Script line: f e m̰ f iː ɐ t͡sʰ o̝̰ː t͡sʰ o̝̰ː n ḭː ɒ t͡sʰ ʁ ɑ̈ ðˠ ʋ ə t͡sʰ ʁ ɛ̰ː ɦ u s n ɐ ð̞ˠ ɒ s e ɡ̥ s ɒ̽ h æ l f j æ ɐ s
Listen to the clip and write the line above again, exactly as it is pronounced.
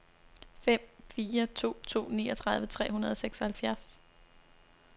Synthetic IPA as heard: f e m̰ f iː ɐ t͡sʰ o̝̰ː t͡sʰ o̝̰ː n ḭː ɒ t͡sʰ ʁ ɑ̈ ðˠ ʋ ə t͡sʰ ʁ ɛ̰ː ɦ u n ɐ ð̞ˠ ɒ s e ɡ̥ s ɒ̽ h æ l f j æ ɐ s